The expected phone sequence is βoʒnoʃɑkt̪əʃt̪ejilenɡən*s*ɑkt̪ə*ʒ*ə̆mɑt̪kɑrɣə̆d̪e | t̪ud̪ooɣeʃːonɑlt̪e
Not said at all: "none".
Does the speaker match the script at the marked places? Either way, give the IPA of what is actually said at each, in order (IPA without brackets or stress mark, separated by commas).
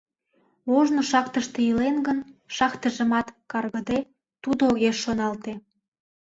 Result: ʃ, ʒ